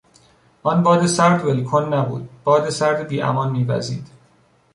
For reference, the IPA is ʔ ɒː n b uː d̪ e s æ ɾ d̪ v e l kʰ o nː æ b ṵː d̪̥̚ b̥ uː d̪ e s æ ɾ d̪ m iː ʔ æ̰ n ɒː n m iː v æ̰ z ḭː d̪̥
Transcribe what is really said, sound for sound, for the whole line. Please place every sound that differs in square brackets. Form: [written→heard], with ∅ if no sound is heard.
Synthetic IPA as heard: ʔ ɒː n b [uː→ɒː] d̪ e s æ ɾ d̪ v e l kʰ o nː æ b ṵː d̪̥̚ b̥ [uː→ɒː] d̪ e s æ ɾ d̪ [m→b] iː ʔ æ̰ [n→m] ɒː n m iː v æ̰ z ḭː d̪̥